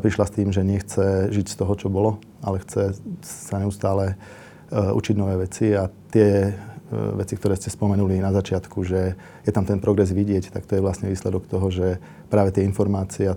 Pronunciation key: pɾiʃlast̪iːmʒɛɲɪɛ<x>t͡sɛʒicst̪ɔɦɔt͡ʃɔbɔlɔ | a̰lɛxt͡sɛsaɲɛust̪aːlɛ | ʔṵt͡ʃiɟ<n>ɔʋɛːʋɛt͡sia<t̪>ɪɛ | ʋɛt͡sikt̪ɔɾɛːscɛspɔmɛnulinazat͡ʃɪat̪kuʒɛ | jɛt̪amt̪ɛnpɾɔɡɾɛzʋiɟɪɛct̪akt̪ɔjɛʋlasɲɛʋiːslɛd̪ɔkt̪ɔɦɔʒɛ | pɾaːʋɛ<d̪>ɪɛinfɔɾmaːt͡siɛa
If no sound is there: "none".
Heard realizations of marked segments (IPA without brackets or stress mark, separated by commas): x, n, t̪, t̪